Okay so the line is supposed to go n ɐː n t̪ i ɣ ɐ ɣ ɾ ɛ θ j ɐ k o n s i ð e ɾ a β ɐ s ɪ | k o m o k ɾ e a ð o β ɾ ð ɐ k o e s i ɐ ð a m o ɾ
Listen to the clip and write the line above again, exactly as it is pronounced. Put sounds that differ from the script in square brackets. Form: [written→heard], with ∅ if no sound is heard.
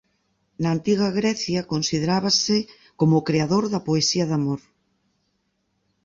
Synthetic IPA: n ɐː n t̪ i ɣ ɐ ɣ ɾ ɛ θ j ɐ k o n s i ð e ɾ a β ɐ s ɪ | k o m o k ɾ e a ð o [β→∅] ɾ ð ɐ [k→p] o e s i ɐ ð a m o ɾ

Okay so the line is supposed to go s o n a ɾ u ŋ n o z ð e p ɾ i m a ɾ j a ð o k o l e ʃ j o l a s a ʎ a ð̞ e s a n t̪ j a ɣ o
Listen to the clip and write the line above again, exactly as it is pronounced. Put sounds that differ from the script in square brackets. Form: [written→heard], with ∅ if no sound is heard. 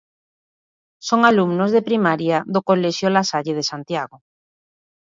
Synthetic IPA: s o [n→ŋ] a [ɾ→l] u [ŋ→m] n o z ð e p ɾ i m a ɾ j a ð o k o l e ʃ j o l a s a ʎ [a→e] ð̞ e s a n t̪ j a ɣ o

